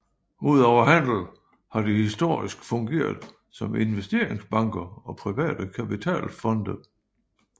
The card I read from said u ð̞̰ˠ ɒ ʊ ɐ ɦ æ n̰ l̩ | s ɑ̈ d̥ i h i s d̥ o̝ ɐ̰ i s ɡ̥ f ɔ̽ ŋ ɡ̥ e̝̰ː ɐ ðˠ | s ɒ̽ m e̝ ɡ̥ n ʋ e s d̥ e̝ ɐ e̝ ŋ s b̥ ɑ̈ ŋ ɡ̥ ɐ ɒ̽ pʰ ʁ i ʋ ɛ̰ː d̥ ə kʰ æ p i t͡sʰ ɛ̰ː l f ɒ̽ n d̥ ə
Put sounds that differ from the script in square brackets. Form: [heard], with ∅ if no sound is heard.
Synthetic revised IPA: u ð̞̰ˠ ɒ ʊ ɐ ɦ æ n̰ l̩ | [h] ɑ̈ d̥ i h i s d̥ o̝ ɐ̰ i s ɡ̥ f ɔ̽ ŋ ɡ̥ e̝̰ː ɐ ðˠ | s ɒ̽ m e̝ [∅] n ʋ e s d̥ e̝ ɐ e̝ ŋ s b̥ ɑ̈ ŋ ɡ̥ ɐ ɒ̽ pʰ ʁ i ʋ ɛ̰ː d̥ ə kʰ æ p i t͡sʰ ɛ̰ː l f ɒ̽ n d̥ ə

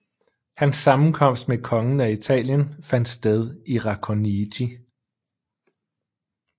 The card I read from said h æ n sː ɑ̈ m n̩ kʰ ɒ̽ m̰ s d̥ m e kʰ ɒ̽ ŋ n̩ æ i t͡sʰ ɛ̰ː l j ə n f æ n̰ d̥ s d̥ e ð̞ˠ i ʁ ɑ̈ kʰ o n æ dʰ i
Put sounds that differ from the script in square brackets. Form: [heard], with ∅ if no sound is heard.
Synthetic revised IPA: h æ n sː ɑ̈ m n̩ kʰ ɒ̽ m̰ s d̥ m e kʰ ɒ̽ ŋ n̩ æ i t͡sʰ ɛ̰ː l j ə n f æ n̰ d̥ s d̥ e ð̞ˠ i ʁ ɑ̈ kʰ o n [i] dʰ i

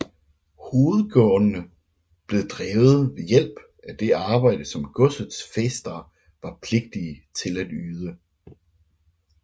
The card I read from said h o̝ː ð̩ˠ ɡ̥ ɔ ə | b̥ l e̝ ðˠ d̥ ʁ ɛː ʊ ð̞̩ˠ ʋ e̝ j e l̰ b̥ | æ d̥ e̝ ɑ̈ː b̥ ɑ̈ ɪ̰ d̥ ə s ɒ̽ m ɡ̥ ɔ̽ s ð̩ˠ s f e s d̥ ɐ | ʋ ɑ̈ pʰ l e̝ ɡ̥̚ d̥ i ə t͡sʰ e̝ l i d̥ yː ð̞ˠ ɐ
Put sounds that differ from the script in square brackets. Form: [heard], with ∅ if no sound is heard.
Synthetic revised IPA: h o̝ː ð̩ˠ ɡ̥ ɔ ə | b̥ l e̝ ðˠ d̥ ʁ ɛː ʊ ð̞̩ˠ ʋ e̝ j e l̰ b̥ | æ d̥ e̝ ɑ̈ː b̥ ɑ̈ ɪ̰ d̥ ə s ɒ̽ m ɡ̥ ɔ̽ s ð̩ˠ s f e s d̥ ɐ | ʋ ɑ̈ pʰ l e̝ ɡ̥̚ d̥ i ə t͡sʰ e̝ l [æ] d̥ yː ð̞ˠ [ə]

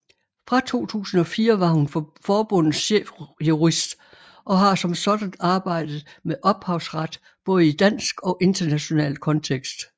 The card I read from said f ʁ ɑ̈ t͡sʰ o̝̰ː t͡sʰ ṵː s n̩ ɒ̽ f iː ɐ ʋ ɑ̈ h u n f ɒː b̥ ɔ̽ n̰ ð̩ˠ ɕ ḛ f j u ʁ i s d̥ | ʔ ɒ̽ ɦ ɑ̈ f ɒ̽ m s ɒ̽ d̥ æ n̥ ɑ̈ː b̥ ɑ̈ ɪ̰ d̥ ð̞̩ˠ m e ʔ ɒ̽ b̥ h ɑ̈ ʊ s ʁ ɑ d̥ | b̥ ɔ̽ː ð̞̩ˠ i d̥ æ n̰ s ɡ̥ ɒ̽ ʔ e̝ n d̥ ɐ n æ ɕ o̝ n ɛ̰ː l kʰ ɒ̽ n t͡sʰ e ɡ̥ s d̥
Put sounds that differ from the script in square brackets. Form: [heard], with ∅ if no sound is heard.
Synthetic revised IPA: f ʁ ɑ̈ t͡sʰ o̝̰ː t͡sʰ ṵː s n̩ ɒ̽ f iː ɐ ʋ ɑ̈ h u n f ɒː b̥ ɔ̽ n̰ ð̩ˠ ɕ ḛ f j u ʁ i s d̥ | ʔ ɒ̽ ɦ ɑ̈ [s] ɒ̽ m s ɒ̽ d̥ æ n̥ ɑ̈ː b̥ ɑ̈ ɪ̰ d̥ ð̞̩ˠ m e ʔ ɒ̽ b̥ h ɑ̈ ʊ s ʁ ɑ d̥ | b̥ ɔ̽ː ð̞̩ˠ i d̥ æ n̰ s ɡ̥ ɒ̽ ʔ e̝ n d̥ ɐ n æ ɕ o̝ n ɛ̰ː l kʰ ɒ̽ n t͡sʰ e ɡ̥ s d̥

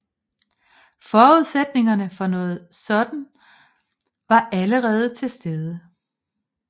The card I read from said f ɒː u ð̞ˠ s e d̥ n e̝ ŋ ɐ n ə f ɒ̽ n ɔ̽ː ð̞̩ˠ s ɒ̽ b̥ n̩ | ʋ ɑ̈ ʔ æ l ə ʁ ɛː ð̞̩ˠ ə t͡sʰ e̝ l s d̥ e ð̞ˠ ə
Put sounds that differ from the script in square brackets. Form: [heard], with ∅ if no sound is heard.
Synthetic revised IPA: f ɒː u ð̞ˠ s e d̥ n e̝ ŋ ɐ n ə f ɒ̽ n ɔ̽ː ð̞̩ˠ s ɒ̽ [d̥] n̩ | ʋ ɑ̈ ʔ æ l ə ʁ ɛː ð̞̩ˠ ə t͡sʰ e̝ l s d̥ e ð̞ˠ ə

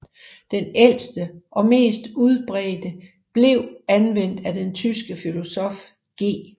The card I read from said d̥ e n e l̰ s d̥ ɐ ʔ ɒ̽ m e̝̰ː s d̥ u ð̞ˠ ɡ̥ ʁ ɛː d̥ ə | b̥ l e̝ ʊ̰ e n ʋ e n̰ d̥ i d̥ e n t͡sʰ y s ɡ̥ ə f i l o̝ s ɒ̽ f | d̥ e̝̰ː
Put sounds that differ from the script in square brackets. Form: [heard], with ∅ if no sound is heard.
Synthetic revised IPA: d̥ e n e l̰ s d̥ [ə] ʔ ɒ̽ m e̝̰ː s d̥ u ð̞ˠ [b̥] ʁ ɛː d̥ ə | b̥ l e̝ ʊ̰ [æ] n ʋ e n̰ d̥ [æ] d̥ e n t͡sʰ y s ɡ̥ ə f i l o̝ s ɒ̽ f | [ɡ̥] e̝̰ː

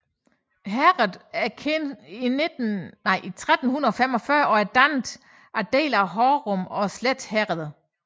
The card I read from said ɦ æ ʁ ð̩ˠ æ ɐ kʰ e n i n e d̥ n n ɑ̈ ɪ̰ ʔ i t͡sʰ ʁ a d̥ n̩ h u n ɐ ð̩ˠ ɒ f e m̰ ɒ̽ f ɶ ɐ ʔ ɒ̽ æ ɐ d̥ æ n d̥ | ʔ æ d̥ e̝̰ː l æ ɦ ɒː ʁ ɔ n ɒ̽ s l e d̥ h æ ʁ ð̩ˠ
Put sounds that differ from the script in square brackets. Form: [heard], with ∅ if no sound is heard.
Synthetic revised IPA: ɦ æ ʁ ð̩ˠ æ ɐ kʰ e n i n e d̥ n n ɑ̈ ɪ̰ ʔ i t͡sʰ ʁ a d̥ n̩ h u n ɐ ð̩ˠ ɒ f e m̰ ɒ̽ f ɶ ɐ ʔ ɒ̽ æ ɐ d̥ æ n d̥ | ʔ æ d̥ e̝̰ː l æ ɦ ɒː ʁ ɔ [m] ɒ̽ s l e d̥ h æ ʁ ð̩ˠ

